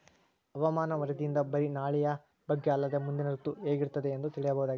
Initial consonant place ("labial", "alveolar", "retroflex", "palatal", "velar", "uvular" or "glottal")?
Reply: labial